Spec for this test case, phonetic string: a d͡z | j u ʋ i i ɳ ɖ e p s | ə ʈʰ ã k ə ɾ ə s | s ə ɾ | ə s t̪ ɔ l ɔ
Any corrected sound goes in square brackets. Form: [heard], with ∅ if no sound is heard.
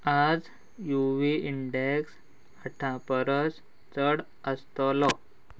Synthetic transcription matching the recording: a d͡z | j u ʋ i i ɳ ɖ e [k] s | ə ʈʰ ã [p] ə ɾ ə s | [t͡s] ə [ɽ] | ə s t̪ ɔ l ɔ